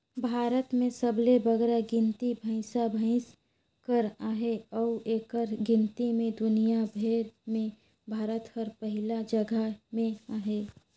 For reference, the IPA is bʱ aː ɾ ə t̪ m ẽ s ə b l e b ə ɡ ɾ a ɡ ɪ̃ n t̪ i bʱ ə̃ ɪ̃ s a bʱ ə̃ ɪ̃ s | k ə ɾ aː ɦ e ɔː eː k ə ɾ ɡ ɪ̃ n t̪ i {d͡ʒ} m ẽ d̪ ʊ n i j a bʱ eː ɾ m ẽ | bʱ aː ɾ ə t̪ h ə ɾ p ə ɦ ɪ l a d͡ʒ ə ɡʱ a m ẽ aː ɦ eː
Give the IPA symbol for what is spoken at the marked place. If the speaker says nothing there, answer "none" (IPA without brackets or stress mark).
none